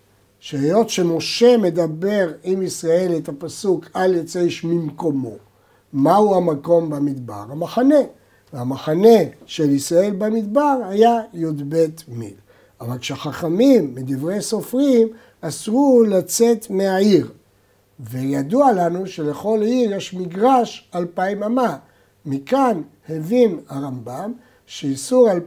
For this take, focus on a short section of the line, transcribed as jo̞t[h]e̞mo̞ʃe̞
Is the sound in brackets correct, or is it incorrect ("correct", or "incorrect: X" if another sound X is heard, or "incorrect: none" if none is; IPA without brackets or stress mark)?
incorrect: ʃ